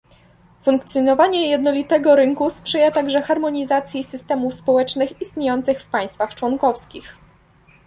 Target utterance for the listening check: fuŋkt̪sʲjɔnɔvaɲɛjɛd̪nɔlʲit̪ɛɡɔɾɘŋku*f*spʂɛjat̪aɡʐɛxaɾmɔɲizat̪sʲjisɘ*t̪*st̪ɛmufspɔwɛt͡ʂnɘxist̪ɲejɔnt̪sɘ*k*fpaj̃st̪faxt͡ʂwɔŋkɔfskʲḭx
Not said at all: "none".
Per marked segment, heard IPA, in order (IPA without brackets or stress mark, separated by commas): none, none, x